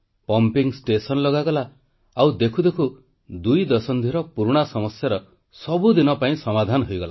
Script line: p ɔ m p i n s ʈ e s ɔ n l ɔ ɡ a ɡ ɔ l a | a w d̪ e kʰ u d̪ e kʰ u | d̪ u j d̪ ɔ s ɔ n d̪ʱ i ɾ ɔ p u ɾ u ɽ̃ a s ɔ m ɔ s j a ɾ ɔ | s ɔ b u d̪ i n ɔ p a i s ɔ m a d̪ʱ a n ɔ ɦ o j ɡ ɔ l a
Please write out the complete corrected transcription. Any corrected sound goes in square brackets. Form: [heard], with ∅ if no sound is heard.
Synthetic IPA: p ɔ m p i [ŋ] s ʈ e s ɔ n l ɔ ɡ a ɡ ɔ l a | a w d̪ e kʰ u d̪ e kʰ u | d̪ u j d̪ ɔ s ɔ n d̪ʱ i ɾ ɔ p u ɾ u ɽ̃ a s ɔ m ɔ s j a ɾ ɔ | s ɔ b u d̪ i n ɔ p a [ĩ] s ɔ m a d̪ʱ a n ɔ ɦ o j ɡ ɔ l a